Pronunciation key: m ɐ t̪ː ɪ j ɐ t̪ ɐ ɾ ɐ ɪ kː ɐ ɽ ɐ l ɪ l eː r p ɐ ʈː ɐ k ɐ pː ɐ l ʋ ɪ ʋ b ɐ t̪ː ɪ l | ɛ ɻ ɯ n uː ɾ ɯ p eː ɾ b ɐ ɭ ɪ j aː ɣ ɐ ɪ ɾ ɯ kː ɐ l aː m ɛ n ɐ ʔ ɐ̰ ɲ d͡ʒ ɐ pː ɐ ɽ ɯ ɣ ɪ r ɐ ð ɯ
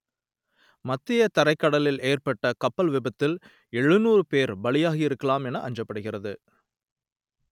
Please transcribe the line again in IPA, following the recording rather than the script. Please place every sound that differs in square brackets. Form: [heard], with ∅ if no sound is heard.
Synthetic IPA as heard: m ɐ t̪ː ɪ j ɐ t̪ ɐ ɾ ɐ ɪ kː ɐ ɽ ɐ l ɪ l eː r p ɐ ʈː ɐ k ɐ pː ɐ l ʋ ɪ [∅] b ɐ t̪ː ɪ l | ɛ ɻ ɯ n uː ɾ ɯ p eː ɾ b ɐ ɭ ɪ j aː ɣ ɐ ɪ ɾ ɯ kː ɐ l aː m ɛ n ɐ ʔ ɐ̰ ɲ d͡ʒ ɐ pː ɐ ɽ ɯ ɣ ɪ r ɐ ð ɯ